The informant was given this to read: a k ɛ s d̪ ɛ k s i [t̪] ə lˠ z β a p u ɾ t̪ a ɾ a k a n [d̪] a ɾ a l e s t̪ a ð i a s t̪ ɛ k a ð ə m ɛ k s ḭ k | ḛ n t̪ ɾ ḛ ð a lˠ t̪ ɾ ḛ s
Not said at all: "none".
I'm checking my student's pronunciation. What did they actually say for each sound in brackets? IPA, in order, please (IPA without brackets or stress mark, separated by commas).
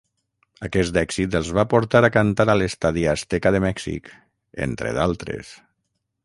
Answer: t̪, t̪